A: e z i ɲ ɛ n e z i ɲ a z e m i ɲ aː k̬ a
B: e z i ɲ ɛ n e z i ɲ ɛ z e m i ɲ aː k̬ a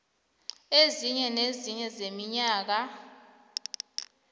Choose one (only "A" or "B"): B